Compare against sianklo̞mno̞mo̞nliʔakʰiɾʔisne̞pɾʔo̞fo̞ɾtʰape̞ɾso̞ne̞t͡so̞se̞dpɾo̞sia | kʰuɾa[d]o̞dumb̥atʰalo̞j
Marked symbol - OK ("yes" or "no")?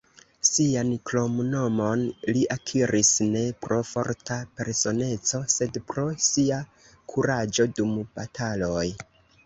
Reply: no